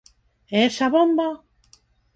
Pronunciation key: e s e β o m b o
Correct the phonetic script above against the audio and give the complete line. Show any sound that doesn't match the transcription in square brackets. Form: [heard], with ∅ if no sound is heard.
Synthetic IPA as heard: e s [a] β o m b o